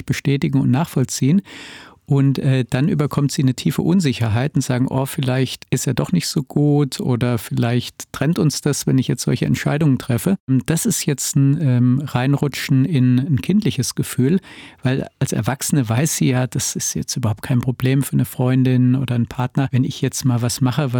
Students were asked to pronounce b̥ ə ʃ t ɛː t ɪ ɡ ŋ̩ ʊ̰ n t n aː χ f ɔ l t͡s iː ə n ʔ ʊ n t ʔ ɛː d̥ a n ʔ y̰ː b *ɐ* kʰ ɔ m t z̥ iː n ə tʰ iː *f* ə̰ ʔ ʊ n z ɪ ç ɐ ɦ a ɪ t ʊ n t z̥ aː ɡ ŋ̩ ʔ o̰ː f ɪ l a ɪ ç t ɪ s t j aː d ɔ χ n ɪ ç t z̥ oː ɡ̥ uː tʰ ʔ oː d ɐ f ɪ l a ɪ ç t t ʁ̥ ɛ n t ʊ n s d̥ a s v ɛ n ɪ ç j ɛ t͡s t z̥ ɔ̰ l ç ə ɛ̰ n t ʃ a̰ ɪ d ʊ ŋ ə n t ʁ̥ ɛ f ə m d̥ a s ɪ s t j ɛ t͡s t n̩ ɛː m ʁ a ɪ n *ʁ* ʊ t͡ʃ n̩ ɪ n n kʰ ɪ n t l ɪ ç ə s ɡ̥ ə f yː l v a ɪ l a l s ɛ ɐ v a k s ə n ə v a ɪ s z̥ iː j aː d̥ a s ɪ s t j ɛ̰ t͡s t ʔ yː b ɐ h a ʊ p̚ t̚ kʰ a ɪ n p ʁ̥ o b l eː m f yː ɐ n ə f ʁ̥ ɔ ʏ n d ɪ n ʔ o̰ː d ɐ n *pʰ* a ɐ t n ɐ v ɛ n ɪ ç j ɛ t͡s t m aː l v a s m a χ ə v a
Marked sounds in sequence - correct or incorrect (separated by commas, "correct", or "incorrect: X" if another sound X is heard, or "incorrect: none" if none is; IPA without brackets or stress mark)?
correct, correct, correct, correct